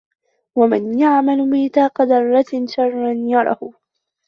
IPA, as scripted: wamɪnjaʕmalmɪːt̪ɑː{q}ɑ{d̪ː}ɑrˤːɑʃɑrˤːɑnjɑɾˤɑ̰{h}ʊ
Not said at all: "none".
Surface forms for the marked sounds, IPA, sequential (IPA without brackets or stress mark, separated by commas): q, d̪, h